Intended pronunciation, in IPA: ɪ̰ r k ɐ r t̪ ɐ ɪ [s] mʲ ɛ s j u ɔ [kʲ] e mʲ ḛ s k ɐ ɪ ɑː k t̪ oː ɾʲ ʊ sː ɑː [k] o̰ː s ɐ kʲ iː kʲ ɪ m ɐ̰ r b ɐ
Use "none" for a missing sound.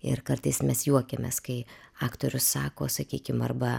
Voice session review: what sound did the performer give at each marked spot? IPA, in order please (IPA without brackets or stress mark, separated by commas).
s, kʲ, k